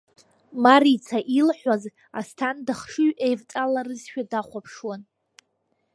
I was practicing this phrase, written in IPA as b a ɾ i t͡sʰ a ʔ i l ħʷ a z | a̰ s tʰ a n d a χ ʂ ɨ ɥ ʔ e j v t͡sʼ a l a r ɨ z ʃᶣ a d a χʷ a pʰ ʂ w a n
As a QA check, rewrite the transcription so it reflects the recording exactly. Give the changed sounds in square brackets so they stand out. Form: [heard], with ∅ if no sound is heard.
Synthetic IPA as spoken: [m] a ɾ i t͡sʰ a ʔ i l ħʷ a z | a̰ s tʰ a n d a χ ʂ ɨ ɥ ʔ e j v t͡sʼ a l a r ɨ z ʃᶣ a d a χʷ a pʰ ʂ w a n